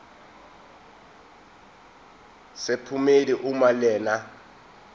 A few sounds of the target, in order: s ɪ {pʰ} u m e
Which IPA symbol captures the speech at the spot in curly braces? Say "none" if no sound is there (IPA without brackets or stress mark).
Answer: pʰ